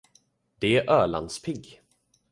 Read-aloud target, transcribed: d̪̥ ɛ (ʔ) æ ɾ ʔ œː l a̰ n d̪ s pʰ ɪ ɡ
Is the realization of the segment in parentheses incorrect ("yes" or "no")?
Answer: yes